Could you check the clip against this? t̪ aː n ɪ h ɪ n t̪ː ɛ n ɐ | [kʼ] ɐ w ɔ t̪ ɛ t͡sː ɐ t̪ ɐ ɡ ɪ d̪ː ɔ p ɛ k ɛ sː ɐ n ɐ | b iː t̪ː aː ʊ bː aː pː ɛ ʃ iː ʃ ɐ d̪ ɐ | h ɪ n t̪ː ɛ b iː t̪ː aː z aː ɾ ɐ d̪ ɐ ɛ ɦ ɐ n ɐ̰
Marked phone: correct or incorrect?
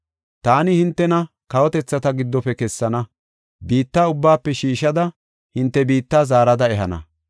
incorrect